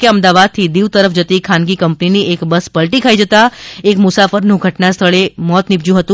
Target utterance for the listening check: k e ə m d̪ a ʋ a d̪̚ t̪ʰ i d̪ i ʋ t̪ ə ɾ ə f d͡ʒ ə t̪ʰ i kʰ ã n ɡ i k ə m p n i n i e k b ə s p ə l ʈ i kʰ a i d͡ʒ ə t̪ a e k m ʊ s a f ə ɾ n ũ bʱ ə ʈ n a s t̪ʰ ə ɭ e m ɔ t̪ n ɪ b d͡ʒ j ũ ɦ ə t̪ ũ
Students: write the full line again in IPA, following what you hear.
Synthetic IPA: k e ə m d̪ a ʋ a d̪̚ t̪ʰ i d̪ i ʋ t̪ ə ɾ ə f d͡ʒ ə t̪ i kʰ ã n ɡ i k ə m p n i n i e k b ə s p ə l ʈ i kʰ a i d͡ʒ ə t̪ a e k m ʊ s a f ə ɾ n ũ ɡʱ ə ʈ n a s t̪ʰ ə ɭ e m ɔ t̪ n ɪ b d͡ʒ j ũ ɦ ə t̪ ũ